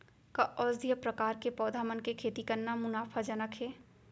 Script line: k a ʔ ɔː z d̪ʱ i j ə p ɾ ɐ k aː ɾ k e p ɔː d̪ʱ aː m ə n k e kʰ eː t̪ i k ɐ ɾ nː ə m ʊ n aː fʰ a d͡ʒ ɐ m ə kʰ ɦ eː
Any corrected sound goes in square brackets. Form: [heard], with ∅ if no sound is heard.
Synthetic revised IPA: k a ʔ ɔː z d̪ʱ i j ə p ɾ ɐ k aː ɾ k e p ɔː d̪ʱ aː m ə n k e kʰ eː t̪ i k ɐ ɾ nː [a] m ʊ n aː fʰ a d͡ʒ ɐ [n] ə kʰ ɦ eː